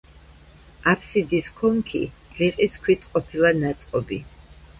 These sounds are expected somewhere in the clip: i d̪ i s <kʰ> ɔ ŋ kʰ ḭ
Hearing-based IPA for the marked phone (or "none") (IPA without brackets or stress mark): kʰ